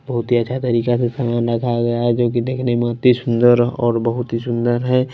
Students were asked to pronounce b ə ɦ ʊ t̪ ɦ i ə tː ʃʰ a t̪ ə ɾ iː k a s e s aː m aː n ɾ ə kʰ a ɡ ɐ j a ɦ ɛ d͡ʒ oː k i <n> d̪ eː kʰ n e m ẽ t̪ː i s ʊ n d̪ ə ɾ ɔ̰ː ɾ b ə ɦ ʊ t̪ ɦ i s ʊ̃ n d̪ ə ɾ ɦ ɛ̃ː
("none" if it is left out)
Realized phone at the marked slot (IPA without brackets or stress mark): none